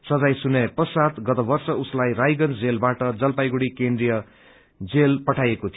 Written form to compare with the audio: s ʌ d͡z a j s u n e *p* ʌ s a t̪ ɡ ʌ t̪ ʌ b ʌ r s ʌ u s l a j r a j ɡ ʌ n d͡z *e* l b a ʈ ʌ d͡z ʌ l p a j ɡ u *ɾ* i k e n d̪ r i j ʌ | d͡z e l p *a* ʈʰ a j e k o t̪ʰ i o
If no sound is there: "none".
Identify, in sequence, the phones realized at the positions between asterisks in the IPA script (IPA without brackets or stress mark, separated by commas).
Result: p, e, ɽ, ʌ